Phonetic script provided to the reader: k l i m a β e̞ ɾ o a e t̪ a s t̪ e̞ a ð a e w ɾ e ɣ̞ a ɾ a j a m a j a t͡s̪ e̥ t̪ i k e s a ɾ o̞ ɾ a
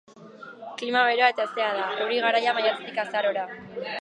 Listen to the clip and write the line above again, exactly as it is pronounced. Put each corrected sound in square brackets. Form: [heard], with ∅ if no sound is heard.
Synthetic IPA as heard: k l i m a β e̞ ɾ o a e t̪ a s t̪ e̞ a ð a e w ɾ [i] ɣ̞ a ɾ a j a m a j a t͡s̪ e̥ t̪ i k [a] s a ɾ o̞ ɾ a